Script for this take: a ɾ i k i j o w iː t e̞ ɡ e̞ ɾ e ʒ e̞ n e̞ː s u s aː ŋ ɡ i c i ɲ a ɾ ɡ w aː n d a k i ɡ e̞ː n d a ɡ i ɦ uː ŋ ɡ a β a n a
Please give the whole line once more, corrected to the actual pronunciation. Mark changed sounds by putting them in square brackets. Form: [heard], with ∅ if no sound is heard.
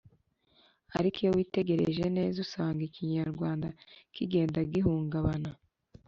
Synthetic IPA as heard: a ɾ i k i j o w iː t e̞ ɡ e̞ ɾ e ʒ e̞ n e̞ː [z] u s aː ŋ ɡ i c i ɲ a ɾ ɡ w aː n d a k i ɡ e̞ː n d a ɡ i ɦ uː ŋ ɡ a β a n a